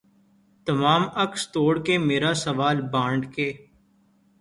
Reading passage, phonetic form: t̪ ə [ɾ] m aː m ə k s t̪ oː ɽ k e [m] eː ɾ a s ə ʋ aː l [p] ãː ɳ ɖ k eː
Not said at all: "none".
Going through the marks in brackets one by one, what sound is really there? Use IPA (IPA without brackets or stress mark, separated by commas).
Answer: none, m, b